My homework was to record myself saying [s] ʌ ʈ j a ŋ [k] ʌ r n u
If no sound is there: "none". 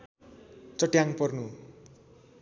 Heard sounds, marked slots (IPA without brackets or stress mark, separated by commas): t͡s, p